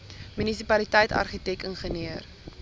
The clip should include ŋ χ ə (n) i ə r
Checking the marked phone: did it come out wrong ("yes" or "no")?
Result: no